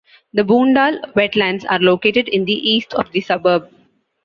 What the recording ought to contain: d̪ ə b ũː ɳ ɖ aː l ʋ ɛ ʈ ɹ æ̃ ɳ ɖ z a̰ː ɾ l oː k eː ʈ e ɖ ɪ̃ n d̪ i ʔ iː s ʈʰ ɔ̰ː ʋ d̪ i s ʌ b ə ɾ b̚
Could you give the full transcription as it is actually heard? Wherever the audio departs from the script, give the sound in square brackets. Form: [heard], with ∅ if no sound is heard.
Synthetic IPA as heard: d̪ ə b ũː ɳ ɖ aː l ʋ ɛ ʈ [l] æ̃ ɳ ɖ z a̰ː ɾ l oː k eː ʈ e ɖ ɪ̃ n d̪ i ʔ iː s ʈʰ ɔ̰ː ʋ d̪ i s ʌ b ə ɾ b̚